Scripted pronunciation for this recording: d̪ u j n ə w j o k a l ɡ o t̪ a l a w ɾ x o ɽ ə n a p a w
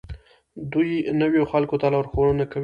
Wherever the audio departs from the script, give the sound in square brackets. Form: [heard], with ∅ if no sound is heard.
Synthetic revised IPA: d̪ u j n ə w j o [x] a l [k] o t̪ a l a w ɾ x o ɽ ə n a [k] a w

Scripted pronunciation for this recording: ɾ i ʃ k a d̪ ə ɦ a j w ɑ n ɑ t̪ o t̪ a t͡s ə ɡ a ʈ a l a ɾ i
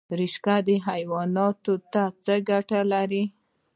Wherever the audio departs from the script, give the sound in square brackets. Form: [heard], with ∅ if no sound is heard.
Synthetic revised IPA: ɾ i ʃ k a d̪ ə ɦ a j w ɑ n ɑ t̪ o t̪ a t͡s ə ɡ a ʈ a l a ɾ i

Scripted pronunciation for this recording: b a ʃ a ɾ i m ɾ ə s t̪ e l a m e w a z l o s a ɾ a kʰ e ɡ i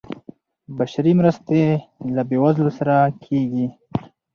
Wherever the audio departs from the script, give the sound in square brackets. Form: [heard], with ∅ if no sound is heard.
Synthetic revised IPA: b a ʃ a ɾ i m ɾ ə s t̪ e l a [b] e w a z l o s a ɾ a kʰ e ɡ i

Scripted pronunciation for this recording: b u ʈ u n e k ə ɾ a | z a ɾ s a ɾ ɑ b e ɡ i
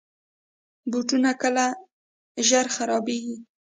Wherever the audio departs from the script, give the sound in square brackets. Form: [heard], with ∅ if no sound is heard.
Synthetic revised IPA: b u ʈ u n [a] k ə [l] a | [ʒ] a ɾ [x] a ɾ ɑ b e ɡ i

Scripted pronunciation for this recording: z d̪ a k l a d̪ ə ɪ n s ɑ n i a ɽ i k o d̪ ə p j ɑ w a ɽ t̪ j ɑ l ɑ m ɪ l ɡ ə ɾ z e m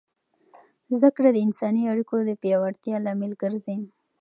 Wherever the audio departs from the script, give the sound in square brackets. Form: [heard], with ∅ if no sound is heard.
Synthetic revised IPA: z d̪ a k [ɽ] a d̪ ə ɪ n s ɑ n i a ɽ i k o d̪ ə p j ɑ w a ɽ t̪ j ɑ l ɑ m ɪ l ɡ ə ɾ z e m

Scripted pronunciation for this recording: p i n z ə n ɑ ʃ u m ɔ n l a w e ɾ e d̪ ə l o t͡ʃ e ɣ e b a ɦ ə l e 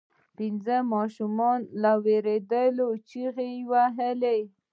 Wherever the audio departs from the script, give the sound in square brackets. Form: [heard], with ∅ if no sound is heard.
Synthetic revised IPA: p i n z ə [m] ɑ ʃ u m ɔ n l a w e ɾ e d̪ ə l o t͡ʃ [i] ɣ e [w] a ɦ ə l e

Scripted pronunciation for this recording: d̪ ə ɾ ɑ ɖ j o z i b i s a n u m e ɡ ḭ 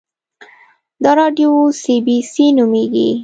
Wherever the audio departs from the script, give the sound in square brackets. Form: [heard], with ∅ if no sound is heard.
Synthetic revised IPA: d̪ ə ɾ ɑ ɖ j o [s] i b i s [i] n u m e ɡ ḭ

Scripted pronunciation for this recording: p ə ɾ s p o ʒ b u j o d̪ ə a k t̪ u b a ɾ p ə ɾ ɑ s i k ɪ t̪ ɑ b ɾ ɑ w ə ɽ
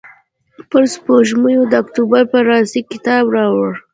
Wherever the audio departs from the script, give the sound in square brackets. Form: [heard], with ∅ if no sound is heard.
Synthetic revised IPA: p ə ɾ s p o ʒ [m] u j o d̪ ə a k t̪ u b a ɾ p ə ɾ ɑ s i k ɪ t̪ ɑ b ɾ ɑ w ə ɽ

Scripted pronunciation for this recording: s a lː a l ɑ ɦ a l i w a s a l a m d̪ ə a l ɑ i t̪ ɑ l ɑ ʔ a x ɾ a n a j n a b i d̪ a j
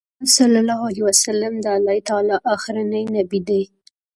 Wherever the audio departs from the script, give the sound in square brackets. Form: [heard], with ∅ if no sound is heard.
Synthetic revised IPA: s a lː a l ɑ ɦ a l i w a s a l a m d̪ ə a l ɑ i t̪ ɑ l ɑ ʔ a x ɾ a n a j n a b i d̪ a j

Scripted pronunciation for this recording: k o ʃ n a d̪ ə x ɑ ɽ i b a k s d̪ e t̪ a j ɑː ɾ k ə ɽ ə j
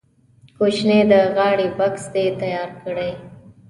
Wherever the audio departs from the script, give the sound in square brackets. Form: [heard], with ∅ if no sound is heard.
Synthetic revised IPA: k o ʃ n [e] d̪ ə [ɣ] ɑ ɽ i b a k s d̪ e t̪ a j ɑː ɾ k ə ɽ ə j

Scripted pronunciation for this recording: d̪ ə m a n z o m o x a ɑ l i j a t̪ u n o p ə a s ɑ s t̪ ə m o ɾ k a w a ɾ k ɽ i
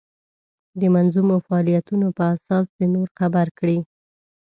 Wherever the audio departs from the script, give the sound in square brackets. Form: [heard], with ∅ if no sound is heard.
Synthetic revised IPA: d̪ ə m a n z [u] m o [f] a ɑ l i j a t̪ u n o p ə a s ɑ s [d̪] ə [n] o ɾ [x] a [b] a ɾ k ɽ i

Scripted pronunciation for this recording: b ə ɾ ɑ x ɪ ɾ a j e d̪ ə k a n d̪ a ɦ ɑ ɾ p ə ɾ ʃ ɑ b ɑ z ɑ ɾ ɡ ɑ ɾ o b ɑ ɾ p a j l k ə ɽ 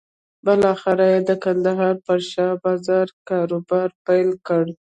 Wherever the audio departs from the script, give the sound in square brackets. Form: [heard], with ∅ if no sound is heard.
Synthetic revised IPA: b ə [l] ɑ x ɪ ɾ a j e d̪ ə k a n d̪ a ɦ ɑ ɾ p ə ɾ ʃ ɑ b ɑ z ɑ ɾ [k] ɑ ɾ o b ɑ ɾ p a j l k ə ɽ

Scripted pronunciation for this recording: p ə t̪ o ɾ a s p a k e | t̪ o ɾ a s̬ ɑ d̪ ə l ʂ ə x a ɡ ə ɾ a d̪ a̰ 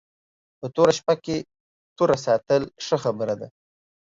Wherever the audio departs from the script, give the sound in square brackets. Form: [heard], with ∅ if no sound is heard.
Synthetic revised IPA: p ə t̪ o ɾ a [ʃ] p a k e | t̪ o ɾ a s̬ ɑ [t̪] ə l ʂ ə x a [b] ə ɾ a d̪ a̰

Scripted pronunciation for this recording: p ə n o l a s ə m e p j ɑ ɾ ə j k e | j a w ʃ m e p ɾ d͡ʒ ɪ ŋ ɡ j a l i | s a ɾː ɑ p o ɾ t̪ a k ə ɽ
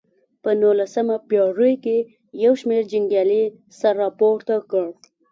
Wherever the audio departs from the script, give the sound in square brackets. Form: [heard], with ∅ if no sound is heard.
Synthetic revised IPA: p ə n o l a s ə m [a] p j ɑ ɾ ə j k e | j a w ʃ m e [∅] ɾ d͡ʒ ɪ ŋ ɡ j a l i | s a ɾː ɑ p o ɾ t̪ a k ə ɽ

